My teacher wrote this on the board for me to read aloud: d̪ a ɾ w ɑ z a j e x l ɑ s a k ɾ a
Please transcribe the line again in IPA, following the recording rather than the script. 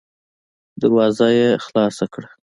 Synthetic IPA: d̪ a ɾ w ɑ z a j e x l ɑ s a k ɽ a